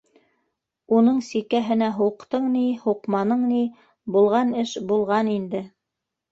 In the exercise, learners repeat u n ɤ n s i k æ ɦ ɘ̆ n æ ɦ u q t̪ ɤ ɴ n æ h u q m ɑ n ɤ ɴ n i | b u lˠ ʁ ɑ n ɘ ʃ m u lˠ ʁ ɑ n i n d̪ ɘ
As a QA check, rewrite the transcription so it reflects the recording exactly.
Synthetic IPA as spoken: u n ɤ ɴ s i k æ ɦ ɘ̆ n æ ɦ u q t̪ ɤ ɴ n i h u q m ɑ n ɤ ɴ n i | b u lˠ ʁ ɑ n ɘ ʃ b u lˠ ʁ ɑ n i n d̪ ɘ